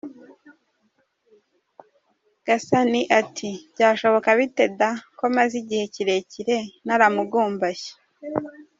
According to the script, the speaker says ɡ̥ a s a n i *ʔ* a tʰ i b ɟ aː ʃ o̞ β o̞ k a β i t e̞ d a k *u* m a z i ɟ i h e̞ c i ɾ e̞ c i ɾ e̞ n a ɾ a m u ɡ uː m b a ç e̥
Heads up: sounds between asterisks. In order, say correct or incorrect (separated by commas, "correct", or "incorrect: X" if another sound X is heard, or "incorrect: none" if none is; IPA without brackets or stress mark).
correct, incorrect: o